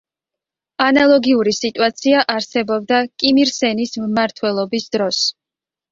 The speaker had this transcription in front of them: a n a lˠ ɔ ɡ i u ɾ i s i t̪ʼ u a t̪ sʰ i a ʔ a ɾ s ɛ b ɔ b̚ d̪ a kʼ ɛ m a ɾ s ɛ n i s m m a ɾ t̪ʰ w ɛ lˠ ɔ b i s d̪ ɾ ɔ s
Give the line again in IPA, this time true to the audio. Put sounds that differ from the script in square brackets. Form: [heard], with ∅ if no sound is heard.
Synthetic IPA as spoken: a n a lˠ ɔ ɡ i u ɾ i s i t̪ʼ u a t̪ sʰ i a ʔ a ɾ s ɛ b ɔ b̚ d̪ a kʼ [i] m [i] ɾ s ɛ n i s m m a ɾ t̪ʰ w ɛ lˠ ɔ b i s d̪ ɾ ɔ s